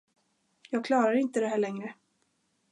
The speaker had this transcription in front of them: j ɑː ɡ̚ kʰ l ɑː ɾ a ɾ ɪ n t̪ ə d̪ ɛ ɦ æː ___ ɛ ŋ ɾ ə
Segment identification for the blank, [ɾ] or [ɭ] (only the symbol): ɭ